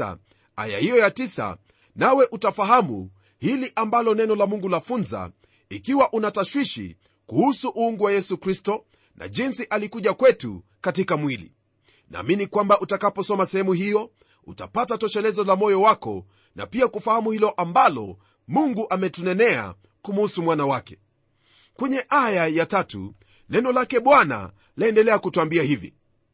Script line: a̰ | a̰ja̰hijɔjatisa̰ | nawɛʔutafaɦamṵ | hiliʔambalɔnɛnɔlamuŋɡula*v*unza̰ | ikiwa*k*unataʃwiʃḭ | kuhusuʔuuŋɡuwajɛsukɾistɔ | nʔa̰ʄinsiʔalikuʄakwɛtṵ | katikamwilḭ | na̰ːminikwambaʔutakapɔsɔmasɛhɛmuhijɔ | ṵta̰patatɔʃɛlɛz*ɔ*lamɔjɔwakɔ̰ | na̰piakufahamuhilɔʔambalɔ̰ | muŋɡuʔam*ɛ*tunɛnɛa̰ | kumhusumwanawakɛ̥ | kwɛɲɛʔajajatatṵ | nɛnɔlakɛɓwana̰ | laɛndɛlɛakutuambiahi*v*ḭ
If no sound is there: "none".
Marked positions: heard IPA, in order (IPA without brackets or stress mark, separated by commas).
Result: f, ʔ, ɔ, ɛ, v